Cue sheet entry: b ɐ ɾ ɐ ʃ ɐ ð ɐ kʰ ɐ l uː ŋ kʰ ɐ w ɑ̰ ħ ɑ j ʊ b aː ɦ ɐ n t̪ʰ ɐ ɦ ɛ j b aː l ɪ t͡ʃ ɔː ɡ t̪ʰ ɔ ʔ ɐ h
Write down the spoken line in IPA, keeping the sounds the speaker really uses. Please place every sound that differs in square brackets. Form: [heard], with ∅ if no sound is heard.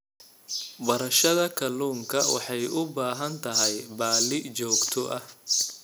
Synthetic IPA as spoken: b ɐ ɾ ɐ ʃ ɐ ð ɐ kʰ ɐ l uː ŋ kʰ ɐ w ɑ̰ ħ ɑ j ʊ b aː ɦ ɐ n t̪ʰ ɐ ɦ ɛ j b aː l ɪ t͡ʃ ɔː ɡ t̪ʰ ɔ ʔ ɐ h